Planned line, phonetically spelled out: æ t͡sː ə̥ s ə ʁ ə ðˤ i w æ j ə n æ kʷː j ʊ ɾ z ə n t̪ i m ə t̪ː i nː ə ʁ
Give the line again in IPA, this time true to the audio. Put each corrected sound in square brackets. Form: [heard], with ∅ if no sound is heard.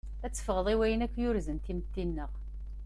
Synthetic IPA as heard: æ t͡sː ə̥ [f] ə ʁ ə ðˤ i w æ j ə n æ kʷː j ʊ ɾ z ə n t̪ i m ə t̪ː i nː ə ʁ